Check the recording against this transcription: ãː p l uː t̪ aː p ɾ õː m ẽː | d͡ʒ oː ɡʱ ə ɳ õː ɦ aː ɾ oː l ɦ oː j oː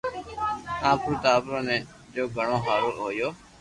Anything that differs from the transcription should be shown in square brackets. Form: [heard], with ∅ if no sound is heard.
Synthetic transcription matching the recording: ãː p [ɾ] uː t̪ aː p ɾ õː [n] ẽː | d͡ʒ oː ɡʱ ə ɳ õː ɦ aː ɾ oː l ɦ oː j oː